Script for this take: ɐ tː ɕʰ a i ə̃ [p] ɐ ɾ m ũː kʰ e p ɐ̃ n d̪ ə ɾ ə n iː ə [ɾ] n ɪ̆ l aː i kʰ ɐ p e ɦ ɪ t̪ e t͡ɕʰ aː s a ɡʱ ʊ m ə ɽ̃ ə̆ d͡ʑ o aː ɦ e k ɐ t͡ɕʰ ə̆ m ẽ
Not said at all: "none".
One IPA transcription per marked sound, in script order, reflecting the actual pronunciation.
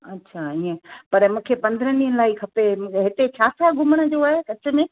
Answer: p, none

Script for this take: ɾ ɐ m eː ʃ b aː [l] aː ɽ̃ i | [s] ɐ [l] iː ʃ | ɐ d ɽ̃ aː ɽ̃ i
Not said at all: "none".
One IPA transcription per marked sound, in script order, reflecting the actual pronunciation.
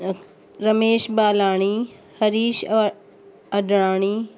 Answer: l, h, ɾ

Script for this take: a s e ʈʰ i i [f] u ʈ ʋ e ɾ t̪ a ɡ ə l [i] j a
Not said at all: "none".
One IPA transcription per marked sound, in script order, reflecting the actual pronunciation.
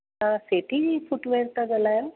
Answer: f, a

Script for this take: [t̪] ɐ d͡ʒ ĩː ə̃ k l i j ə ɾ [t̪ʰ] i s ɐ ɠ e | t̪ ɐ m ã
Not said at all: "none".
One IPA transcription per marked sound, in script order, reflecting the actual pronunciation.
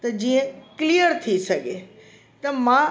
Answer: t̪, t̪ʰ

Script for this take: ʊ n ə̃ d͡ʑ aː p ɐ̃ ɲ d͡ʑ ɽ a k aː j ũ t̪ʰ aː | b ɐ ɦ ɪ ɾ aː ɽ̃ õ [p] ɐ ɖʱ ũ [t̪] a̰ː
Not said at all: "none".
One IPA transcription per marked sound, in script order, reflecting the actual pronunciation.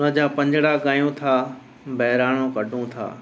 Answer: k, t̪ʰ

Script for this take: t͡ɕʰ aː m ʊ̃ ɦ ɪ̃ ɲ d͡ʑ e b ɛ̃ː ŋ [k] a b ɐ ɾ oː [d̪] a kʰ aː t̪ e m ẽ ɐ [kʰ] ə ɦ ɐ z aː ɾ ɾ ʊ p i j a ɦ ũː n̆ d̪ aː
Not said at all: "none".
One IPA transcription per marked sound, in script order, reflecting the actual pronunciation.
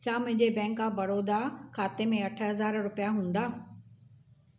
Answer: k, d̪, ʈʰ

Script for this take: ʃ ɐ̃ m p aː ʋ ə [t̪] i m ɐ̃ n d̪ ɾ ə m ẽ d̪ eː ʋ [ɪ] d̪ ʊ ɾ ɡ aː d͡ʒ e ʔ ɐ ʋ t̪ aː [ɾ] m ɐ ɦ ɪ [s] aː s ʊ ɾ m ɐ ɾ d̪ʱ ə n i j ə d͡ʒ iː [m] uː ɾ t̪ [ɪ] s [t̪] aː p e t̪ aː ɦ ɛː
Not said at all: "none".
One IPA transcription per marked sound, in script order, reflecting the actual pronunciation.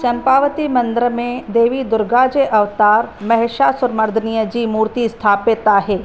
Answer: t̪, i, ɾ, ʃ, m, i, t̪ʰ

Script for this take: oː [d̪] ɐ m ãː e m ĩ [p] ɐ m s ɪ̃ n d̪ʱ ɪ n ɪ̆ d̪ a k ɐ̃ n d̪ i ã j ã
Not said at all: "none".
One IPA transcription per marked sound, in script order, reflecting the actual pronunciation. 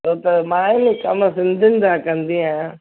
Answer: t̪, k

